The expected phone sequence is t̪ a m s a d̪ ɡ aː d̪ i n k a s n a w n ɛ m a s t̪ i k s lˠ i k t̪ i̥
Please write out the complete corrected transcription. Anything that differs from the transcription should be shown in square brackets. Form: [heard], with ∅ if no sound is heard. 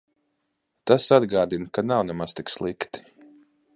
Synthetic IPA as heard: t̪ a [∅] s a d̪ ɡ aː d̪ i n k a [∅] n a w n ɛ m a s t̪ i k s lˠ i k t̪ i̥